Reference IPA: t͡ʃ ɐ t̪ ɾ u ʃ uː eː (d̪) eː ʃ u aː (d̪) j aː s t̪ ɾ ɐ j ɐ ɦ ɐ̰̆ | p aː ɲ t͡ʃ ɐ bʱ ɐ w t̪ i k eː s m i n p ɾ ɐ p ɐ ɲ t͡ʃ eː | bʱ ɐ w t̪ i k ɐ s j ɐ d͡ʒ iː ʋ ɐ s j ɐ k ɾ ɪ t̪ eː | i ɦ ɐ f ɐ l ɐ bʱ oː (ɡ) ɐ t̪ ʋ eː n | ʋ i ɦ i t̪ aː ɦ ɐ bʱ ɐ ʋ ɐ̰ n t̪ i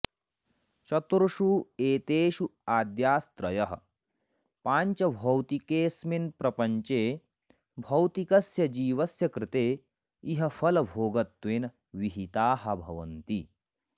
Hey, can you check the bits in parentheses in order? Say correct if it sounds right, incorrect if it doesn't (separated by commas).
incorrect, correct, correct